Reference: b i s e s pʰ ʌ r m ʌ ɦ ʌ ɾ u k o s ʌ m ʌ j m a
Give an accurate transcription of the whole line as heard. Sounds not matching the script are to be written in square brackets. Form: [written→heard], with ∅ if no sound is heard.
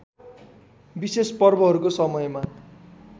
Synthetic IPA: b i s e s [pʰ→p] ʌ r [m→b] ʌ ɦ ʌ ɾ u k o s ʌ m ʌ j m a